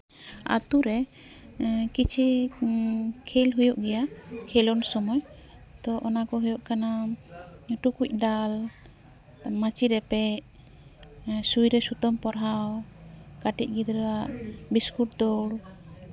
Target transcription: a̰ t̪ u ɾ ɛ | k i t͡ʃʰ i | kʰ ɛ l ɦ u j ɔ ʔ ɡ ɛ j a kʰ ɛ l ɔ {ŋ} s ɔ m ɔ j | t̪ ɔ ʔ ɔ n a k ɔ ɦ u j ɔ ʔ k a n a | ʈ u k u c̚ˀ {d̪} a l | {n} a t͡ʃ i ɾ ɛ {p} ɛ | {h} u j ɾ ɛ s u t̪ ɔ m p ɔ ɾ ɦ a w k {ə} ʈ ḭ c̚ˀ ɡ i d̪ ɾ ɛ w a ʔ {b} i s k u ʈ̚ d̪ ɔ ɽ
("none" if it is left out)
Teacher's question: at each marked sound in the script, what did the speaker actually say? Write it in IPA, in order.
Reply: n, d̪, m, p, s, a, b

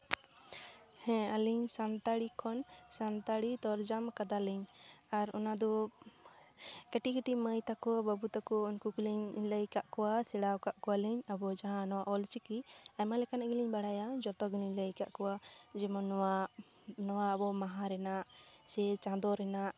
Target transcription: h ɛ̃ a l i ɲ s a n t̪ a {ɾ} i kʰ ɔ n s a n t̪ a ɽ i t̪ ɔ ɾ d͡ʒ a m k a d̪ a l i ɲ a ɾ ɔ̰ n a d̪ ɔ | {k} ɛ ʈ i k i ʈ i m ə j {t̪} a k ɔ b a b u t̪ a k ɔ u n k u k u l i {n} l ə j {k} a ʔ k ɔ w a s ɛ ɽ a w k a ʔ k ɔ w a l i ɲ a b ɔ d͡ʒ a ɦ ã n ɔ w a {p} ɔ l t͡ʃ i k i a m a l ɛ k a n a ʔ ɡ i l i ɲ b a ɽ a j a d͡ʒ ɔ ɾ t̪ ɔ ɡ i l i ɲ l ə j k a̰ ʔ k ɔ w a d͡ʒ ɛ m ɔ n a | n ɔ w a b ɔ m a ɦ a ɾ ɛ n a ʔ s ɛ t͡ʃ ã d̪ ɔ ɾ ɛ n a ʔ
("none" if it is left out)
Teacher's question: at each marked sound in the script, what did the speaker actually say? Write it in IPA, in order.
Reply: ɽ, k, t̪, ɲ, k, ʔ

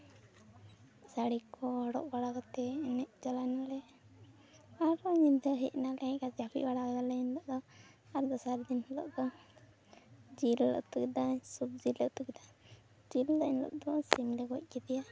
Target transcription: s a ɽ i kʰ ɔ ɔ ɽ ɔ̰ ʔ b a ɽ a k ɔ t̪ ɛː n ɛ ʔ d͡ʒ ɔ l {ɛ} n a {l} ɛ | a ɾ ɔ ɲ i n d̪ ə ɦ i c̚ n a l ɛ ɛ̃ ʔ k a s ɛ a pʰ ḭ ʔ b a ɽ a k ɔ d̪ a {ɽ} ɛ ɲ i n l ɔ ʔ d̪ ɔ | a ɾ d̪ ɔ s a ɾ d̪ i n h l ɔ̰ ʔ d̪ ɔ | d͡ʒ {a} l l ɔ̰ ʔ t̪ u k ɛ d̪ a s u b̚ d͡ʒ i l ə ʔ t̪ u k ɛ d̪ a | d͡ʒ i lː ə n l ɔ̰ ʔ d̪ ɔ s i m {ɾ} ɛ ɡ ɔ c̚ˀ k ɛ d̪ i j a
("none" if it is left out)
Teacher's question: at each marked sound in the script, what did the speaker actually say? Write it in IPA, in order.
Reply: a, l, l, i, l

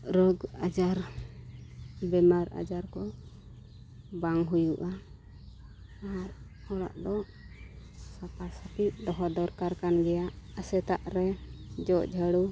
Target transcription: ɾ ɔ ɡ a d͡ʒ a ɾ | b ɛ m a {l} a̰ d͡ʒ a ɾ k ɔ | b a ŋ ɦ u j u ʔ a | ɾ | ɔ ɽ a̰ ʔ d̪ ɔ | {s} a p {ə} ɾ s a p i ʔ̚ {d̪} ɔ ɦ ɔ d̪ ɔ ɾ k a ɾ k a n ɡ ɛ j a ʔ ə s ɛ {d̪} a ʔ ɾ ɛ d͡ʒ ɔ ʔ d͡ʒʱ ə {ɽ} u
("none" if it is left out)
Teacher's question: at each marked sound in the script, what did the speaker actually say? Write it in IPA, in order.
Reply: ɾ, s, a, d̪, t̪, ɽ

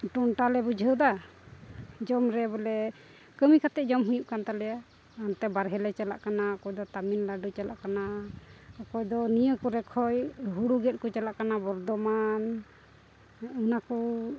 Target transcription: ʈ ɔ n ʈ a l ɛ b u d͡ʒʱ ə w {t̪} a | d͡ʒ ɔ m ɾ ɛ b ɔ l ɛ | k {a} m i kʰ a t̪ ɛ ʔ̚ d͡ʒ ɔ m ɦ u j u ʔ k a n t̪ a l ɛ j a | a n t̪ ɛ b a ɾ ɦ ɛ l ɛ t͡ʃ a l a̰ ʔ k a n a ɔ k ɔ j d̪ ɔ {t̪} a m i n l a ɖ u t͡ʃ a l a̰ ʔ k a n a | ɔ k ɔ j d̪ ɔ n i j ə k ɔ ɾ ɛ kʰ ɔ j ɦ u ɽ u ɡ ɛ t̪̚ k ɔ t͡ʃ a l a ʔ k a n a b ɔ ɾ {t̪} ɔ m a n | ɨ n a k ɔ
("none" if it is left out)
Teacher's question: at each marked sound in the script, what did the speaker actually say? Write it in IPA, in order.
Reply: d̪, ə, t̪, d̪

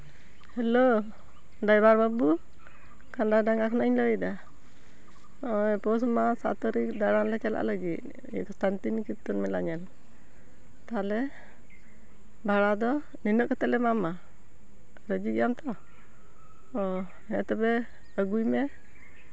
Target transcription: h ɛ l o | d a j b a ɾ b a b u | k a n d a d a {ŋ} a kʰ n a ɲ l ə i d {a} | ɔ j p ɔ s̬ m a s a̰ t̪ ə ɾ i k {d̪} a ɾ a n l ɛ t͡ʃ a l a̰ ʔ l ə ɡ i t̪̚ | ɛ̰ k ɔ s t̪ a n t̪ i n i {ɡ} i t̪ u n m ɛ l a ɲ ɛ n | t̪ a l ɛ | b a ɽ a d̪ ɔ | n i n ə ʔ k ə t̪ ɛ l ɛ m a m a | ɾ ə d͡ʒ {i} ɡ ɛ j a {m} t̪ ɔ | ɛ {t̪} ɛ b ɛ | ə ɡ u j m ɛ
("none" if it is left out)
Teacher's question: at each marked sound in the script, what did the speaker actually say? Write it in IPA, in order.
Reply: ŋ, a, d̪, k, i, m, t̪

